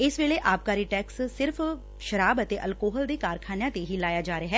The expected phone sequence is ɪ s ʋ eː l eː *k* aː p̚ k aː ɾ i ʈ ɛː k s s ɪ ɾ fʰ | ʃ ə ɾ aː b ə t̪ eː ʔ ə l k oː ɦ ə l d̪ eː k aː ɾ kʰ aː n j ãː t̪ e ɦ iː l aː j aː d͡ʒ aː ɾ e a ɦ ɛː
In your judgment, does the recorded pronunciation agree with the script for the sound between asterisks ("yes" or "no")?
no